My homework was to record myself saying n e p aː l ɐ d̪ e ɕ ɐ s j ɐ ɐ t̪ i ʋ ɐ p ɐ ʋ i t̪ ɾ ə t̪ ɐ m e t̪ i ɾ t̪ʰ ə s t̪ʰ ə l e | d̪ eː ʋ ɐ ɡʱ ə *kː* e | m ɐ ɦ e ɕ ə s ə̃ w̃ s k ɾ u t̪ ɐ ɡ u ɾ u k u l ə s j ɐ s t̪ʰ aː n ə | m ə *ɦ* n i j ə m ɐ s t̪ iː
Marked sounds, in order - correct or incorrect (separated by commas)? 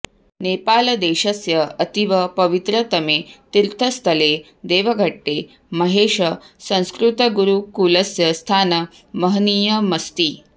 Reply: incorrect, correct